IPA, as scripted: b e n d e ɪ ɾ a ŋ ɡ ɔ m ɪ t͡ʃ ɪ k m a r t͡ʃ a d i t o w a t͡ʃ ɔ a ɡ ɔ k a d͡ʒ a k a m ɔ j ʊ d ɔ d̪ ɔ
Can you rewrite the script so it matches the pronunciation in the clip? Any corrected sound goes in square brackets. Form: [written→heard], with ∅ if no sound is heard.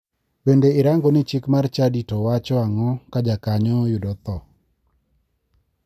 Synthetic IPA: b e n d e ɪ ɾ a ŋ ɡ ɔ [m→n] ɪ t͡ʃ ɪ k m a r t͡ʃ a d i t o w a t͡ʃ ɔ a [ɡ→ŋ] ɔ k a d͡ʒ a k a [m→ɲ] ɔ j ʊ d ɔ [d̪→t̪] ɔ